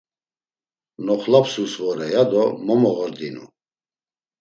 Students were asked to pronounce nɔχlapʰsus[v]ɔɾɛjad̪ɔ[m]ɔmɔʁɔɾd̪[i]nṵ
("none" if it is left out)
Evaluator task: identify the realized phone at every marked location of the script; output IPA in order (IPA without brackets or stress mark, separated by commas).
v, m, i